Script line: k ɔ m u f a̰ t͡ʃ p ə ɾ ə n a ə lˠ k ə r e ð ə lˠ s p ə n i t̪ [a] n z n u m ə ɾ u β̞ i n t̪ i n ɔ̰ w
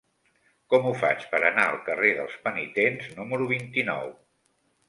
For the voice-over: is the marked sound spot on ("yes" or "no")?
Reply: no